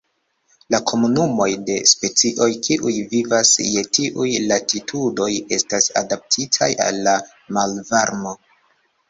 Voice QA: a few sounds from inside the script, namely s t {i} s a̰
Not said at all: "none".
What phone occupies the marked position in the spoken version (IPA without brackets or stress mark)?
a